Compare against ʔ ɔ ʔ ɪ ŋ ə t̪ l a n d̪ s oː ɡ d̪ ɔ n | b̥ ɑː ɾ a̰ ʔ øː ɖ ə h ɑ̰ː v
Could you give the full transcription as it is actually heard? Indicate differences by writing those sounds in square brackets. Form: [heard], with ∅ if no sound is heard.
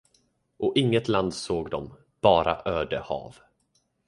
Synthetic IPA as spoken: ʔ ɔ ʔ ɪ [ŋː] ə t̪ l a n d̪ s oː ɡ d̪ ɔ [m] | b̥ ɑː ɾ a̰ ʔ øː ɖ ə h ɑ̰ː v

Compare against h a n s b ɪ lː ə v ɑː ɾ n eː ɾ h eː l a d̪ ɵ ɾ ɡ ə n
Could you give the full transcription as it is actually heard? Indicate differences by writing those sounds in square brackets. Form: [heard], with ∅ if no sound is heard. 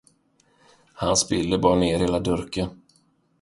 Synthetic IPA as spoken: h a n s b ɪ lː ə [b] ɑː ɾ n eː ɾ h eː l a d̪ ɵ ɾ [k] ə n

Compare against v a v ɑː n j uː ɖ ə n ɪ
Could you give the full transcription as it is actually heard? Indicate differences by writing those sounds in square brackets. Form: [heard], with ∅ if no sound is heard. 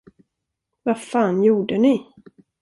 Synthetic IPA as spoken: v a [f] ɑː n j uː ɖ ə n ɪ

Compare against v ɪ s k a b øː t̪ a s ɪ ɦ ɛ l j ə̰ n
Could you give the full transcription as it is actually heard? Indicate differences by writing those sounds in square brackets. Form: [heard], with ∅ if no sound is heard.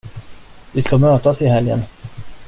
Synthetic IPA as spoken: v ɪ s k a [m] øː t̪ a s ɪ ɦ ɛ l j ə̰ n

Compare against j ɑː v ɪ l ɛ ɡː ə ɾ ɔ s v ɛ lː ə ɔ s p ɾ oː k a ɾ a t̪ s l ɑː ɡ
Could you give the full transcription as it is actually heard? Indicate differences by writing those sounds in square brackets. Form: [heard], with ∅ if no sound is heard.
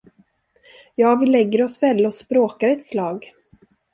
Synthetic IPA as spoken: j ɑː v ɪ l ɛ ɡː ə ɾ ɔ s v ɛ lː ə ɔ s p ɾ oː k a ɾ [ɛ] t̪ s l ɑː ɡ

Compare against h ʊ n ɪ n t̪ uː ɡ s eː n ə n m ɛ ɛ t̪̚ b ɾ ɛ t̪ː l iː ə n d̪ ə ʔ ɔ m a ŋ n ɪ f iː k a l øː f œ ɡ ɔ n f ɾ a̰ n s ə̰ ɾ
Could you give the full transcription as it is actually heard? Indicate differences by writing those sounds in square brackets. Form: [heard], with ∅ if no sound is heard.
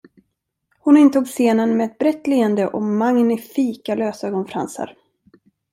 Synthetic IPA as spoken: h ʊ n ɪ n t̪ uː ɡ s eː n ə n m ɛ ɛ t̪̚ b ɾ ɛ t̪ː l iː ə n d̪ ə ʔ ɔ m a ŋ n ɪ f iː k a l øː [s] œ ɡ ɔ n f ɾ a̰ n s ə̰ ɾ

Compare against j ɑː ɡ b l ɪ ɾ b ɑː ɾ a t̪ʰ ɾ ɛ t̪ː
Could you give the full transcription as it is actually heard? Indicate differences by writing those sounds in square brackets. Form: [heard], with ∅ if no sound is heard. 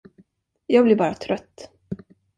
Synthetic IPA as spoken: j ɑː ɡ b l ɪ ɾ b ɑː ɾ a t̪ʰ ɾ [œ] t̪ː

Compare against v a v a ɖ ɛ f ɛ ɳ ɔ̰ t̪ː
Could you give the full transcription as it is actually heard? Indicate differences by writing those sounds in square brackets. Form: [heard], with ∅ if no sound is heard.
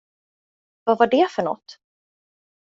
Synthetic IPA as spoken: v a v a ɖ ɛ f [œ] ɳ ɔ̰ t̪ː

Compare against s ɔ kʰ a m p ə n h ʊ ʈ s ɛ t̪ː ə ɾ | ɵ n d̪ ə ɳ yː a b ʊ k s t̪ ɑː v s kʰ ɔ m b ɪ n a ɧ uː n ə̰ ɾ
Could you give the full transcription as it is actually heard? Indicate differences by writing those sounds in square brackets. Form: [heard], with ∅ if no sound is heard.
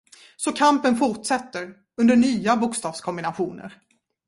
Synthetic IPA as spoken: s ɔ kʰ a m p ə n [f] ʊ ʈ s ɛ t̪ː ə ɾ | ɵ n d̪ ə ɳ yː a b ʊ k s t̪ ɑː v s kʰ ɔ m b ɪ n a ɧ uː n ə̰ ɾ

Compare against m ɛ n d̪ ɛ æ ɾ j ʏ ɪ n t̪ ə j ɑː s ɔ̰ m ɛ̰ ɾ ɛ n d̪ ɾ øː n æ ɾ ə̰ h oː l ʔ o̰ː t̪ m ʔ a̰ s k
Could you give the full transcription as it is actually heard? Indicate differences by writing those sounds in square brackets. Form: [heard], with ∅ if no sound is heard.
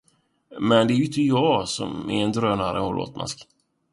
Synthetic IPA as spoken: m ɛ n d̪ ɛ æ ɾ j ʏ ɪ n t̪ ə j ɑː s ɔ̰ m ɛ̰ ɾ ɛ n d̪ ɾ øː n [a] ɾ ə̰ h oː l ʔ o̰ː t̪ m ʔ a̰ s k

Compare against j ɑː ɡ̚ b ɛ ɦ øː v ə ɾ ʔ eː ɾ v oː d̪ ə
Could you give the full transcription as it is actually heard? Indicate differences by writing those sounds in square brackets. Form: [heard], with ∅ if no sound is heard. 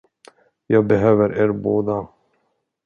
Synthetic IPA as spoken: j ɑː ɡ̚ b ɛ ɦ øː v ə ɾ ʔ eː ɾ [b] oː d̪ [a]

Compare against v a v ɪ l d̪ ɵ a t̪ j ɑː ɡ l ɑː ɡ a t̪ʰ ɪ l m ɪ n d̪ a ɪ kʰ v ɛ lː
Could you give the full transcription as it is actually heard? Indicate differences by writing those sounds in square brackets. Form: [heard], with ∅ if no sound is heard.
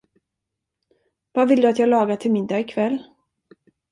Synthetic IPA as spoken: v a v ɪ l d̪ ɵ a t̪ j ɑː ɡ l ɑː ɡ a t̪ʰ ɪ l m ɪ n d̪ a ɪ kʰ v ɛ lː

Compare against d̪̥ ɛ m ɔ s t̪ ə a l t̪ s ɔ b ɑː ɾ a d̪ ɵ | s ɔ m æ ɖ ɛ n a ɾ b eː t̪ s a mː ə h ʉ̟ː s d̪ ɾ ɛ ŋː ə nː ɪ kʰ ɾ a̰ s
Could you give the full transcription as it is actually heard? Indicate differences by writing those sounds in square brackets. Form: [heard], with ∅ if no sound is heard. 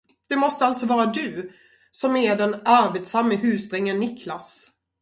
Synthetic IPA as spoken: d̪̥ ɛ m ɔ s t̪ ə a l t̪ s ɔ [v] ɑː ɾ a d̪ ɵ | s ɔ m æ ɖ ɛ n a ɾ b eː t̪ s a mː ə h ʉ̟ː s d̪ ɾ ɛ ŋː ə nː ɪ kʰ [l] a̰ s

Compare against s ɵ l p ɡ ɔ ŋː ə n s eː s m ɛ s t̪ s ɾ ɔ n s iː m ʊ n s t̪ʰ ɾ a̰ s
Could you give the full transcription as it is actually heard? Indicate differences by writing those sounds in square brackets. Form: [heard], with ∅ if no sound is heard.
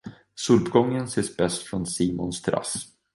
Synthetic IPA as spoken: s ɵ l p ɡ ɔ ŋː ə n s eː s [b] ɛ s t̪ [f] ɾ ɔ n s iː m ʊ n s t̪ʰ ɾ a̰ s

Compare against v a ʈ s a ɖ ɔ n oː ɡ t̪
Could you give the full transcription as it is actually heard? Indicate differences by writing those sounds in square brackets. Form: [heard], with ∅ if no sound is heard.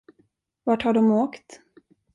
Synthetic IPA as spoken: v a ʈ [h] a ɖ ɔ [m] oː [k] t̪

